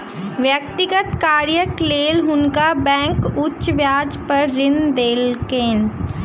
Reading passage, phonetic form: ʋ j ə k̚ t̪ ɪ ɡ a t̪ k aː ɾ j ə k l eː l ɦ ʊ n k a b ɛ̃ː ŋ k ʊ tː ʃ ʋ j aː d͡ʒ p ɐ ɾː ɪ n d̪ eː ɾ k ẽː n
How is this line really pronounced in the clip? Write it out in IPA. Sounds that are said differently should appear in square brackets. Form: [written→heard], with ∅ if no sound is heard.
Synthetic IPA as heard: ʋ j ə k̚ t̪ ɪ ɡ [a→ə] t̪ k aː ɾ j ə k l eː l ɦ ʊ n k a b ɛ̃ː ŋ k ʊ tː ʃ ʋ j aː d͡ʒ p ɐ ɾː ɪ n d̪ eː [ɾ→l] k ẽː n